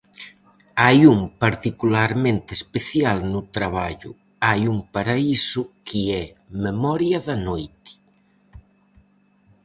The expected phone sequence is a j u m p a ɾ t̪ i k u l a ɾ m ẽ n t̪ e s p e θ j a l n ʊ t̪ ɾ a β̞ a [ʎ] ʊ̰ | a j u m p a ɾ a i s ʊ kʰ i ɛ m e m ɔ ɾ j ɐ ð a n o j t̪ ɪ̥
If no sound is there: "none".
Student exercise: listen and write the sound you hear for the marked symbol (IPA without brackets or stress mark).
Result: ʎ